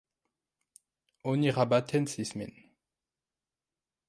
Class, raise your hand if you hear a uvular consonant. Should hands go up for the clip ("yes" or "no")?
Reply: yes